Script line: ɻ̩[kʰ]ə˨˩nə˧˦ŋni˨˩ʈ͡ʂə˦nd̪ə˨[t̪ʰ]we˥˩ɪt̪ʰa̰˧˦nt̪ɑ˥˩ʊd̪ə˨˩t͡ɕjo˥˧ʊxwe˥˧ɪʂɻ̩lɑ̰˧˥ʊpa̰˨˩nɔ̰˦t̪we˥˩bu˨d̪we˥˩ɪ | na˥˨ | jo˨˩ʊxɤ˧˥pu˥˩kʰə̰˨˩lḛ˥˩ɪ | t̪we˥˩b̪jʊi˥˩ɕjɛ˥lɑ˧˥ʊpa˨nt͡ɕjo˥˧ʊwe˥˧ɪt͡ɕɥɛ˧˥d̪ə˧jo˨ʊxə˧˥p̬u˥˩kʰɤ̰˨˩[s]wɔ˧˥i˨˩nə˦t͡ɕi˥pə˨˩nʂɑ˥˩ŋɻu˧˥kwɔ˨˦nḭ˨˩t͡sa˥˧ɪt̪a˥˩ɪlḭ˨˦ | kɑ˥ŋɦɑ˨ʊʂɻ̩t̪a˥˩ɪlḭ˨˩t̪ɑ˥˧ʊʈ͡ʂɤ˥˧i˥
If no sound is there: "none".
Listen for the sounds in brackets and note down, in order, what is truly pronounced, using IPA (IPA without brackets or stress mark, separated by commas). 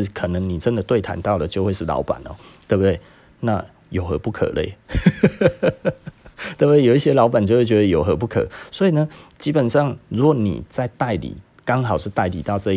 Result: kʰ, t̪, s